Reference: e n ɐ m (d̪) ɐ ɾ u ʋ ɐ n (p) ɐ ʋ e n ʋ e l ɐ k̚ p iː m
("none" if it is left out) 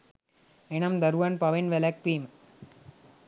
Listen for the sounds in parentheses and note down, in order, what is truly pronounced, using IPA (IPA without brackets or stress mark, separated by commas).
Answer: d̪, p